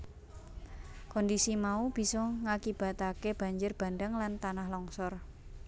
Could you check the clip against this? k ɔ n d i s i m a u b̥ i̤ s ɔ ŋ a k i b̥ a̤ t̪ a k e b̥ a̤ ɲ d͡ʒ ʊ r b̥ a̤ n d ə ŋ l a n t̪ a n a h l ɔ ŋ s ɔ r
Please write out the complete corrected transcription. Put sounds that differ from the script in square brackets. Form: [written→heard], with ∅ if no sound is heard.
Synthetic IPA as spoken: k ɔ n d i s i m a u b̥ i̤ s ɔ ŋ a k i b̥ a̤ t̪ a k e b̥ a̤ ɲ d͡ʒ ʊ r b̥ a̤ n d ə ŋ l a n t̪ a n a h l ɔ ŋ s ɔ r

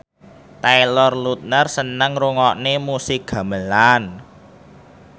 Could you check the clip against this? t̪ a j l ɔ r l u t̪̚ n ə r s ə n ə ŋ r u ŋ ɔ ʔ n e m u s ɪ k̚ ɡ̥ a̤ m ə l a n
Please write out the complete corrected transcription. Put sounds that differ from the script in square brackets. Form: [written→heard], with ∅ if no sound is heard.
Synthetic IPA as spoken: t̪ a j l ɔ r l u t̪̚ n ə r s ə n ə ŋ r u ŋ ɔ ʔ n e m u s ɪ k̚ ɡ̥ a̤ m ə l a n

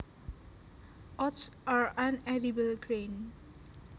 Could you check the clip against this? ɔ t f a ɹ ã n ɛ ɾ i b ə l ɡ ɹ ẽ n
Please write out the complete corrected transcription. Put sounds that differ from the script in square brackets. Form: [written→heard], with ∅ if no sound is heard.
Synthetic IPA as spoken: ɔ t [f→s] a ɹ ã n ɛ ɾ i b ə l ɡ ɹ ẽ n

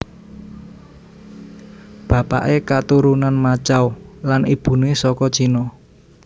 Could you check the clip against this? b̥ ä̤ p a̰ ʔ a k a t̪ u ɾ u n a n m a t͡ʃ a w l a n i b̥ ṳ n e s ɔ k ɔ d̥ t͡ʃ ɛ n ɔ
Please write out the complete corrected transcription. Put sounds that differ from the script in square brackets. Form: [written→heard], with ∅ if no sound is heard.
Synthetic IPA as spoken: b̥ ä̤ p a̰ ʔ [a→e] k a t̪ u ɾ u n a n m a t͡ʃ a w l a n i b̥ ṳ n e s ɔ k ɔ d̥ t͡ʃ [ɛ→i] n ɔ

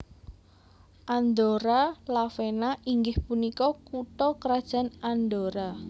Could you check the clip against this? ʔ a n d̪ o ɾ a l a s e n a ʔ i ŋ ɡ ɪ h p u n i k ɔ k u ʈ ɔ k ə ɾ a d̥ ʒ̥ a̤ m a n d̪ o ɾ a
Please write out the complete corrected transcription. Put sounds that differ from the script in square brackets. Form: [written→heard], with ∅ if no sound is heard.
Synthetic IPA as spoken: ʔ a n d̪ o ɾ a l a [s→f] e n a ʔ i ŋ ɡ ɪ h p u n i k ɔ k u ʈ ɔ k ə ɾ a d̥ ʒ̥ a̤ [m→n] a n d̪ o ɾ a

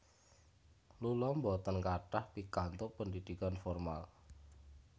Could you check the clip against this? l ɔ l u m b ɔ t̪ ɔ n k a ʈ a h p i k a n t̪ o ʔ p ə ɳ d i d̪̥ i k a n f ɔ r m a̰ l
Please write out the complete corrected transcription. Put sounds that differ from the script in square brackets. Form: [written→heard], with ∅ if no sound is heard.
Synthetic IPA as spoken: l [ɔ→u] l [u→ɔ] m b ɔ t̪ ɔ n k a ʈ a h p i k a n t̪ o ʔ p ə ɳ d i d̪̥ i k a n f ɔ r m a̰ l

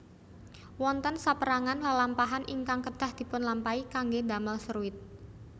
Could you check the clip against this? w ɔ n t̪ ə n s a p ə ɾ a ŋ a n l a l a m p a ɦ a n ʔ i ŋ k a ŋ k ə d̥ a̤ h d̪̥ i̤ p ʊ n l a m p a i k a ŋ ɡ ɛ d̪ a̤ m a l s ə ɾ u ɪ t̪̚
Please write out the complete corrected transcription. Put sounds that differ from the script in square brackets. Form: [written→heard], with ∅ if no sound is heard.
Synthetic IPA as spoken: w ɔ n t̪ ə n s a p ə ɾ a ŋ a n l a l a m p a ɦ a n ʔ i ŋ k a ŋ k ə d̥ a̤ h d̪̥ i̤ p ʊ n l a m p a i k a ŋ ɡ [ɛ→e] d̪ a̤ m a l s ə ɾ u ɪ t̪̚

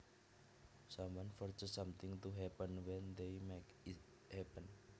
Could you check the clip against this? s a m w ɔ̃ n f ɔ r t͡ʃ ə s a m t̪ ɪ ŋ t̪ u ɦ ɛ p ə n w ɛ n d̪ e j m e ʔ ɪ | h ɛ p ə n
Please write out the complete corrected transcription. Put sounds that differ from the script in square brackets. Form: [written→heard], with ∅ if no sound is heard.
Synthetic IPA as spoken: s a m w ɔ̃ n f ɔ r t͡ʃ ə s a m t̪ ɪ ŋ t̪ u ɦ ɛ p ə n w ɛ n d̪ e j m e [ʔ→k] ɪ | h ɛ p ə n

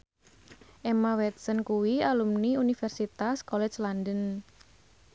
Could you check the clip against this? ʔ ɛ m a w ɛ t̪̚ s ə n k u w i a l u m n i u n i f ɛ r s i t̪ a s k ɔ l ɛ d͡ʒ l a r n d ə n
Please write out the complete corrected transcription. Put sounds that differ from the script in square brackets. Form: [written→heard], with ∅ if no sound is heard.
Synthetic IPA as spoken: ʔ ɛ m a w ɛ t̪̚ s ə n k u w i a l u m n i u n i f ɛ r s i t̪ a s k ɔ l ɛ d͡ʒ l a [r→∅] n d ə n

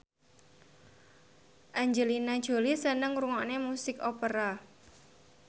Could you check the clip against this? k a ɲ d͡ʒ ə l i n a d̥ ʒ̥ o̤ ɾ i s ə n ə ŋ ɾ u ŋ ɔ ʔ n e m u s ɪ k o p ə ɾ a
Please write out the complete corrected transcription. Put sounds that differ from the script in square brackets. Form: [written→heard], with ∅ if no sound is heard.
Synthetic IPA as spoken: [k→ʔ] a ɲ d͡ʒ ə l i n a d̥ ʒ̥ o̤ [ɾ→l] i s ə n ə ŋ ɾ u ŋ ɔ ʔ n e m u s ɪ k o p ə ɾ a

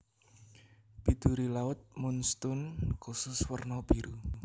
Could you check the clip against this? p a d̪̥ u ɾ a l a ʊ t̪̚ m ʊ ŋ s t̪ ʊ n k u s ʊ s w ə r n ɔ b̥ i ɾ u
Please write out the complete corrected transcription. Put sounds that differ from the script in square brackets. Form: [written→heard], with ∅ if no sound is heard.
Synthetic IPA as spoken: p [a→i] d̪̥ u ɾ [a→i] l a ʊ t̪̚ m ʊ [ŋ→n] s t̪ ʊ n k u s ʊ s w ə r n ɔ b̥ i ɾ u

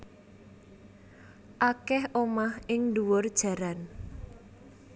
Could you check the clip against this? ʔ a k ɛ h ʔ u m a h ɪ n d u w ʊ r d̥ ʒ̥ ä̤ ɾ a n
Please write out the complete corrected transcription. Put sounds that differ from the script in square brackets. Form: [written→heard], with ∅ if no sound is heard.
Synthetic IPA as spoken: ʔ a k ɛ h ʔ [u→o] m a h ɪ [n→ŋ] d u w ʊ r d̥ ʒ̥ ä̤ ɾ a n

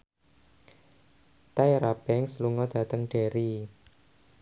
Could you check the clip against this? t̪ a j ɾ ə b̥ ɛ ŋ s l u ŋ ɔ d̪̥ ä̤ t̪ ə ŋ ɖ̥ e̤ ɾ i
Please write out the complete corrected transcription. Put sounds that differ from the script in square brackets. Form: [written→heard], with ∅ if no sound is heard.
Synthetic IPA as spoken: t̪ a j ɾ [ə→a] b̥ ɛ ŋ s l u ŋ ɔ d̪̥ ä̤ t̪ ə ŋ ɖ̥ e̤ ɾ i

